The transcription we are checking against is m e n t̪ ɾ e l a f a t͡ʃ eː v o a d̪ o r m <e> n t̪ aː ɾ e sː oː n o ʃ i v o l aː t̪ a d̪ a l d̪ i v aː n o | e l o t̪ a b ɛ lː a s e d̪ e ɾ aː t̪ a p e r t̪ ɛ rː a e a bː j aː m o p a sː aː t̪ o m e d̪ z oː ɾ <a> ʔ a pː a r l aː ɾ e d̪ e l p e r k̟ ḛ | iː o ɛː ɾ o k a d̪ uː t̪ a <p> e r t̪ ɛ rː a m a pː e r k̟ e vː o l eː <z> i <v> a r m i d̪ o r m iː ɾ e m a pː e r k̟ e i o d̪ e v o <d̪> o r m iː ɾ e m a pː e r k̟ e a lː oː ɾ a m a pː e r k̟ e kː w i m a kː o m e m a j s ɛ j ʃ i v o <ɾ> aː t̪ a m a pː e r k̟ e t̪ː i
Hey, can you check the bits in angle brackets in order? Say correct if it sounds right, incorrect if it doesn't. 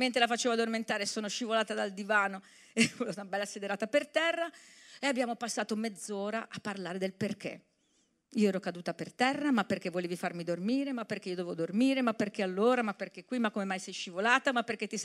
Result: correct, correct, correct, incorrect: v, incorrect: f, correct, incorrect: l

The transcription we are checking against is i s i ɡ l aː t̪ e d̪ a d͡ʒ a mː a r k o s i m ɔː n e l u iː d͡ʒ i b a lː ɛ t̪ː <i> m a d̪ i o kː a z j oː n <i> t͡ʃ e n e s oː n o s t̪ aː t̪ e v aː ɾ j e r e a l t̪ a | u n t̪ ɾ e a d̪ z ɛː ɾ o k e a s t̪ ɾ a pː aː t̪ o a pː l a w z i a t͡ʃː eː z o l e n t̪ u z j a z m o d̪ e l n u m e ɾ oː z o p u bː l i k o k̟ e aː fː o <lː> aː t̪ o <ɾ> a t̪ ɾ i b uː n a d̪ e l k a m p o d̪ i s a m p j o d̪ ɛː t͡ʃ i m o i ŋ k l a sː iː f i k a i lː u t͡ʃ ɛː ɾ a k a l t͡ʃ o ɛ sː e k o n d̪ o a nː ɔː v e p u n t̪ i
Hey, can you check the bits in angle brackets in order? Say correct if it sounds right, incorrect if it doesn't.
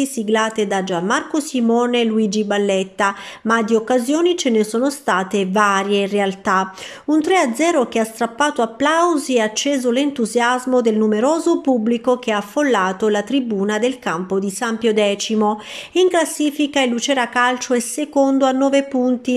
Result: incorrect: a, correct, correct, incorrect: l

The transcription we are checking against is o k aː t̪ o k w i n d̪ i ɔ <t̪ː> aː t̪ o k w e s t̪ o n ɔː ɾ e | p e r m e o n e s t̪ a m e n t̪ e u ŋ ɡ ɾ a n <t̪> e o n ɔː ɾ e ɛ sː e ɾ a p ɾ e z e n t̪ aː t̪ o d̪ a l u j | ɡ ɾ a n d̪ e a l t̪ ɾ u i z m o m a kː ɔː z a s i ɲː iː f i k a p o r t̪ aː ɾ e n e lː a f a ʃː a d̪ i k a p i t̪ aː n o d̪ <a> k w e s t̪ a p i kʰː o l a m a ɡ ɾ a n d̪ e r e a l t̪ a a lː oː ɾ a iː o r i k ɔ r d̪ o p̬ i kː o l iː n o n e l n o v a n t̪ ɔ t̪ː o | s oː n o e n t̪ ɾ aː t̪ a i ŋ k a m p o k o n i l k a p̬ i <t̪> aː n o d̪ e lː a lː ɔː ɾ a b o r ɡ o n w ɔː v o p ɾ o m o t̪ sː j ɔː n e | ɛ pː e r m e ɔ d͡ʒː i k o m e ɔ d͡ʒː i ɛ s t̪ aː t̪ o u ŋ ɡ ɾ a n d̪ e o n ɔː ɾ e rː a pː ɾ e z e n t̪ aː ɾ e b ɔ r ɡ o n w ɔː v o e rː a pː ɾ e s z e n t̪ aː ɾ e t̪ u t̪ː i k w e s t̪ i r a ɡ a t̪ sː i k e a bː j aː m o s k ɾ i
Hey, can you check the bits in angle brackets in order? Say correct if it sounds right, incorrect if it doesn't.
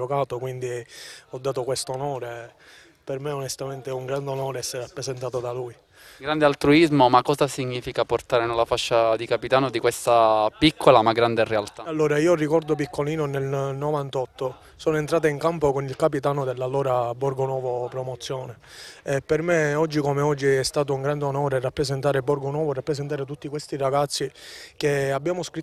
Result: incorrect: d̪ː, incorrect: d̪, incorrect: i, correct

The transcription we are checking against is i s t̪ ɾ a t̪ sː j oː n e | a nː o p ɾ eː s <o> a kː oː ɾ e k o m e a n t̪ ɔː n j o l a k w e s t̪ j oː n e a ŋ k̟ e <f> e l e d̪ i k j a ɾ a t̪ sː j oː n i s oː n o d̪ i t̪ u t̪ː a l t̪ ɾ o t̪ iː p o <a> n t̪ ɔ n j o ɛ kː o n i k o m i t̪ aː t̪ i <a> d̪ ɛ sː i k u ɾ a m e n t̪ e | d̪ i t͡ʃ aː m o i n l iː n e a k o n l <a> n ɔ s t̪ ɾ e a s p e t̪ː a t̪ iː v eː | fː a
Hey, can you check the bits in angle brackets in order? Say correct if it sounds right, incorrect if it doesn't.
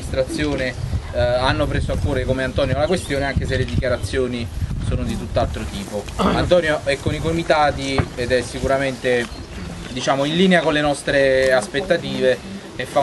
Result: correct, incorrect: s, correct, incorrect: e, incorrect: e

